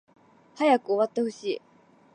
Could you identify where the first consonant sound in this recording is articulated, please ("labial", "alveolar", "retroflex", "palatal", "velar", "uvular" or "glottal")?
glottal